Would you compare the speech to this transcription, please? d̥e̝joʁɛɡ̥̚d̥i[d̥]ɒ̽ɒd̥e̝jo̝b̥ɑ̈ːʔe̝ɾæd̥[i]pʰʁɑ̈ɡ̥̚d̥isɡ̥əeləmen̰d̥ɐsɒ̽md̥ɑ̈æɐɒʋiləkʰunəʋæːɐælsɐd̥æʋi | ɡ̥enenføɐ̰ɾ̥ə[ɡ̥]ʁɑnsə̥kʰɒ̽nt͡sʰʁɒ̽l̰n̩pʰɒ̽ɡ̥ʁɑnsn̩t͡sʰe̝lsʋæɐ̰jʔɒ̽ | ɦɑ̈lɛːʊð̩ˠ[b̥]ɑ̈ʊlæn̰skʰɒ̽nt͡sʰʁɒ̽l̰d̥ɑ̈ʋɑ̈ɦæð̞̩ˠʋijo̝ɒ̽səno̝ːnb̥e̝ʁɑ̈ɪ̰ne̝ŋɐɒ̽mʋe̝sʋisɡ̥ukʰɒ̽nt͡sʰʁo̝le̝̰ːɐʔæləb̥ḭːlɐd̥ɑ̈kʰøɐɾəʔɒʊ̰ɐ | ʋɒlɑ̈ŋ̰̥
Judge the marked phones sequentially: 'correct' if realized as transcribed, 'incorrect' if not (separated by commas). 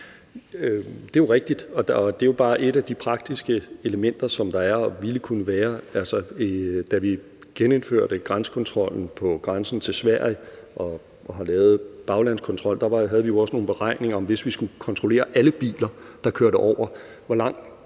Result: correct, correct, correct, correct